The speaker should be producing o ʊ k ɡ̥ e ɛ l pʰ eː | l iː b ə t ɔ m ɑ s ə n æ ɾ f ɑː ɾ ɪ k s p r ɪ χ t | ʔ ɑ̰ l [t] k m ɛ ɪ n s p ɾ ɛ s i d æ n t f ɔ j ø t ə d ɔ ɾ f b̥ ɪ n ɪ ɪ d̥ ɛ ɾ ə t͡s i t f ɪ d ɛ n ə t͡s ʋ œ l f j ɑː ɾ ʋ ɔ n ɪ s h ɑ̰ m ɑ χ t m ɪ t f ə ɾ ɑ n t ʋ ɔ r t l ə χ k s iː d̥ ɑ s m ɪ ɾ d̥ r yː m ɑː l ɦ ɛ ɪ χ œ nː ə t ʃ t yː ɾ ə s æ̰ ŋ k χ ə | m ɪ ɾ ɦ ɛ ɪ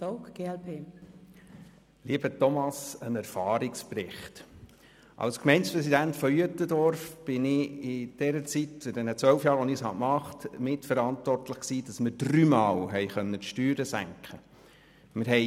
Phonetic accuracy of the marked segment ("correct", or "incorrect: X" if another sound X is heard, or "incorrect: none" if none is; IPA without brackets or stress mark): incorrect: s